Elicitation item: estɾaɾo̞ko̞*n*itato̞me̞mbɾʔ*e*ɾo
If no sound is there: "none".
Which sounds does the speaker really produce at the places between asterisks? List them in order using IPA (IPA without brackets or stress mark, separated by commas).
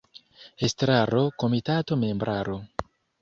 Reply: m, a